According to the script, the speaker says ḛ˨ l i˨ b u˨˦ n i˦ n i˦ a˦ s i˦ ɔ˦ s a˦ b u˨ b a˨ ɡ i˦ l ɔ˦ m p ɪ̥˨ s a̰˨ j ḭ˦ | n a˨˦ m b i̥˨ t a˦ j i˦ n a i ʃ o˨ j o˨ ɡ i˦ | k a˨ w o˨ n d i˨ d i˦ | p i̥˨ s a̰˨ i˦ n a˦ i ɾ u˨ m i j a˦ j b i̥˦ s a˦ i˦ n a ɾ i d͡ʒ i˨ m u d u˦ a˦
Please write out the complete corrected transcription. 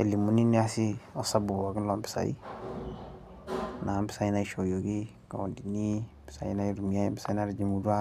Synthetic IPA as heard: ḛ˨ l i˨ m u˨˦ n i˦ n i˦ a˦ s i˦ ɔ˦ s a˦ b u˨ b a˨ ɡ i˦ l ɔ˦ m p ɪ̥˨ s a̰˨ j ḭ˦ | n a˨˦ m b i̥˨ s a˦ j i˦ n a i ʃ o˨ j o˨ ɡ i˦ | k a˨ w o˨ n d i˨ n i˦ | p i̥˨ s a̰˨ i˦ n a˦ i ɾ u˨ m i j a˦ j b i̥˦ s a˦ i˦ n a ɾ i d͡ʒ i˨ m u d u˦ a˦